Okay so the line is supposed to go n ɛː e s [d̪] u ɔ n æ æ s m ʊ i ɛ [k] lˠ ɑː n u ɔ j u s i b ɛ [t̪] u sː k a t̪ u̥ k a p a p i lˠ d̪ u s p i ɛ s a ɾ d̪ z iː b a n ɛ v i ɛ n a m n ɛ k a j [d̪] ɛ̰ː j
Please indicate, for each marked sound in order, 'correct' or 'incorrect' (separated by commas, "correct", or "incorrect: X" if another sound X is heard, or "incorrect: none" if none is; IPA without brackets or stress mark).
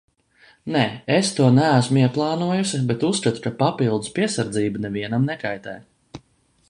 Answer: incorrect: t̪, incorrect: p, correct, incorrect: t̪